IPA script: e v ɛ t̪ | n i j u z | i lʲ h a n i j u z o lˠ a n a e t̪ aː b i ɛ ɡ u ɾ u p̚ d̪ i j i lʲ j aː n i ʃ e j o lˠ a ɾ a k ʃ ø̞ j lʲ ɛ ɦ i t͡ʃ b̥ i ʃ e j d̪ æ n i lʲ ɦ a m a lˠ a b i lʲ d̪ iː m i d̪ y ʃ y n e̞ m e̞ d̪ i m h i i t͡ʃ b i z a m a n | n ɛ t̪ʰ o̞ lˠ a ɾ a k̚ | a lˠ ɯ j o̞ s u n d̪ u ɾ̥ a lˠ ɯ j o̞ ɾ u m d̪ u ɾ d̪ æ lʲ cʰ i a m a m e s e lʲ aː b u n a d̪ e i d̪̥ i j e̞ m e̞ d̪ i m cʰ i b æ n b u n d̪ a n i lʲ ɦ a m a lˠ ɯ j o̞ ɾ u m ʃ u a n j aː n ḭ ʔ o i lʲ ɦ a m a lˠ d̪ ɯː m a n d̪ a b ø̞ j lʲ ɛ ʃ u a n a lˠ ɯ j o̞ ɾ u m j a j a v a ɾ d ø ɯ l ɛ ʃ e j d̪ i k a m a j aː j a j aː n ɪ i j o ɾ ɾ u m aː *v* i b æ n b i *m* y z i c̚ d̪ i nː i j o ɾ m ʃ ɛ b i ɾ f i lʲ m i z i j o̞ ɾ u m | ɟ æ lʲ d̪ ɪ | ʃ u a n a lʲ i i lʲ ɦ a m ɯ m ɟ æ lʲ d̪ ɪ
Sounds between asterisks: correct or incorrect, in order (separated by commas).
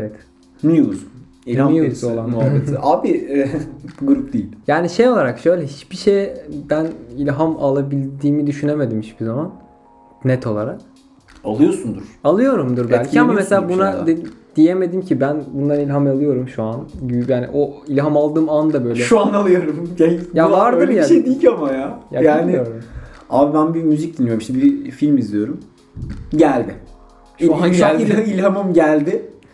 incorrect, correct